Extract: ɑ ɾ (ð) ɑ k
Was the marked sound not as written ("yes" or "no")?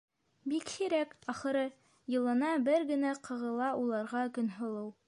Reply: yes